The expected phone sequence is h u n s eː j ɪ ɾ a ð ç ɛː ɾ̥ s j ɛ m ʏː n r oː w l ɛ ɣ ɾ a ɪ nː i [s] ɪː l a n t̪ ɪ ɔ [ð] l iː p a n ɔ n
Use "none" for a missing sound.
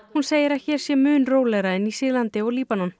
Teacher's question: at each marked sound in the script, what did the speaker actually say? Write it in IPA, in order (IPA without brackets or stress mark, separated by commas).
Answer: s, ɣ